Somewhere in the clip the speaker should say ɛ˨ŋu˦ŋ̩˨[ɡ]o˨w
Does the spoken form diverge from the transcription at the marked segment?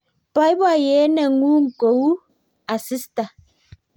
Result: yes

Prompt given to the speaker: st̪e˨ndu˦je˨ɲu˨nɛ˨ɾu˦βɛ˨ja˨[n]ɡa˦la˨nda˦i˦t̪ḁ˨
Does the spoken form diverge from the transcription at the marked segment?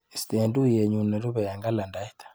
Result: yes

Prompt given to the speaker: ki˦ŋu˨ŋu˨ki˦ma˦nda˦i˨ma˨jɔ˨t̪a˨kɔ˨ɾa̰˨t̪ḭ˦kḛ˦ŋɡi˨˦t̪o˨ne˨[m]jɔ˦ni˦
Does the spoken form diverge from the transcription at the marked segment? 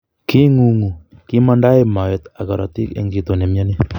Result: no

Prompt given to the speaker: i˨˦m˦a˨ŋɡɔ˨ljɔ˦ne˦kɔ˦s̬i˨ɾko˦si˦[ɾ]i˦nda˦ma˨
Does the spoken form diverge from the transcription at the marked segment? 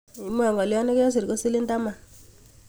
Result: yes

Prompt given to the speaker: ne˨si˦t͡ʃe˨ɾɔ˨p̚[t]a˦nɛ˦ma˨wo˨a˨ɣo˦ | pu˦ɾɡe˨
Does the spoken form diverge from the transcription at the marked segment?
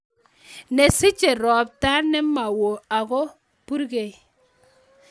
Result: no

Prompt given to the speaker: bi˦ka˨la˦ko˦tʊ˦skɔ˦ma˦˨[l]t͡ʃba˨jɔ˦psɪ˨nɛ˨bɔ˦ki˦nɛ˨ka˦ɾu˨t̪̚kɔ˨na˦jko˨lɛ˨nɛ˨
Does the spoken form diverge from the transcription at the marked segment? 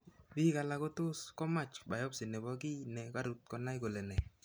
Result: yes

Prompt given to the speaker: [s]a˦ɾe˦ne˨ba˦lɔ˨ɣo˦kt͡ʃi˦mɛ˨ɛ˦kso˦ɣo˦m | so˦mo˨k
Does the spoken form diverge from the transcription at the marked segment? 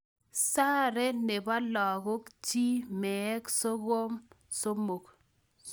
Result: no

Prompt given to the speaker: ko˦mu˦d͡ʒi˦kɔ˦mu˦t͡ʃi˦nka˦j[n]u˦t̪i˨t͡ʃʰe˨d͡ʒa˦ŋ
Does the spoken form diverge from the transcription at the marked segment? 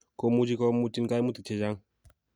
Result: yes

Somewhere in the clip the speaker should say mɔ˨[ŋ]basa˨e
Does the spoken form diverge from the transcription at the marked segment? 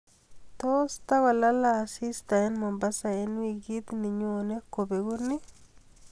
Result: yes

